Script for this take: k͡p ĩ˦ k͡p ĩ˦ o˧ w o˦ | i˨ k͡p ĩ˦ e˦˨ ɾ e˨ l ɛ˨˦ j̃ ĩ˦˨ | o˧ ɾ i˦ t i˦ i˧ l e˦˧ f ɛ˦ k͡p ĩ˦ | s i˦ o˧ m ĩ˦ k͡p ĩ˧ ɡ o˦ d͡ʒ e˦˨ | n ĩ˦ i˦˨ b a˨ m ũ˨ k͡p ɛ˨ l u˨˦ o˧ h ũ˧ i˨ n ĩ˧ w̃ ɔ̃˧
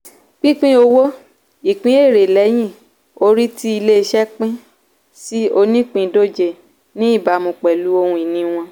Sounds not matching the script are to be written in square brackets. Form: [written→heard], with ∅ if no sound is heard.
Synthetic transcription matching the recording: k͡p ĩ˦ k͡p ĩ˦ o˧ w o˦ | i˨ k͡p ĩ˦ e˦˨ ɾ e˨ l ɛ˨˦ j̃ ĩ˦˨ | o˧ ɾ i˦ t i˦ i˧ l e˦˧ [f→ʃ] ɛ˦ k͡p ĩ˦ | s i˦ o˧ [m→n] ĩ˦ k͡p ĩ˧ [ɡ→d] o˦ d͡ʒ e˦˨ | n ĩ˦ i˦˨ b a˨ m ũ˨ k͡p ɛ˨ l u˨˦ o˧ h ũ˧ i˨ n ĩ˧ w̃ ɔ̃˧